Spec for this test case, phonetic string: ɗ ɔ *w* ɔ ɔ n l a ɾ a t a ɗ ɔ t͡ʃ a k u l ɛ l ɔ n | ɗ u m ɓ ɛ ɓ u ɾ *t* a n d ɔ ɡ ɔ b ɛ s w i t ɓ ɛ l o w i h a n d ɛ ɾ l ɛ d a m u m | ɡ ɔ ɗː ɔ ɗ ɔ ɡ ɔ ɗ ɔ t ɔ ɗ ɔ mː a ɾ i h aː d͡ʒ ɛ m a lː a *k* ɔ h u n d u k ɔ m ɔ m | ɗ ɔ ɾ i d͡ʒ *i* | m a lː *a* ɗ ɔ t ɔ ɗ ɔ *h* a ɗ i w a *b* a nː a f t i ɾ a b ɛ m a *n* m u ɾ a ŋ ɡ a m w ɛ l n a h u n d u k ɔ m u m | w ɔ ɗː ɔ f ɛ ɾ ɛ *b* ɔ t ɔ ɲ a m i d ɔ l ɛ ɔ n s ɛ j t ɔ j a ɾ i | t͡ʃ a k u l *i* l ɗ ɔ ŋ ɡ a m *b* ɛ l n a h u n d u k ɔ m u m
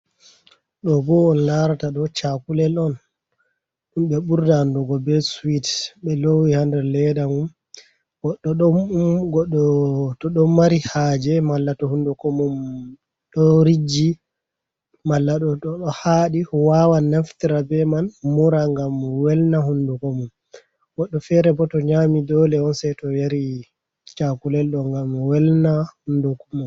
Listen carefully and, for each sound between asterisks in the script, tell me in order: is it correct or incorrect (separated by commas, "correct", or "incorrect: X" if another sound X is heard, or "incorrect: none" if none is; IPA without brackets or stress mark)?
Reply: incorrect: b, incorrect: d, incorrect: t, correct, correct, correct, incorrect: w, correct, correct, incorrect: ɛ, incorrect: w